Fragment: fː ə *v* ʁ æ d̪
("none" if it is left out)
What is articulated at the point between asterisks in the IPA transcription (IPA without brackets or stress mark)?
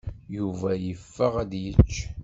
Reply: none